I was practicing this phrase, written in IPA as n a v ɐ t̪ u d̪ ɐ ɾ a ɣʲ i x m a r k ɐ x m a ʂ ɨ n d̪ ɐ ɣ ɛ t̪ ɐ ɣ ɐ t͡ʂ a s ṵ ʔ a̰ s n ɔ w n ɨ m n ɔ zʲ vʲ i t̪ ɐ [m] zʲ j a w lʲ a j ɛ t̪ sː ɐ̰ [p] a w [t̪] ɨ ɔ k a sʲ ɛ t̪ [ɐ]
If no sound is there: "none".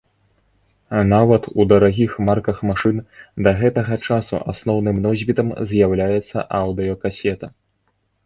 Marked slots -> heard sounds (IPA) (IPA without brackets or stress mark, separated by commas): m, ʔ, d̪, ɐ